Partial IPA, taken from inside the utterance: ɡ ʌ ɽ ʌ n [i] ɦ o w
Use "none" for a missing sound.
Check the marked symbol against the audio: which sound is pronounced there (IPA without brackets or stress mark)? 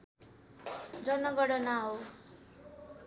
a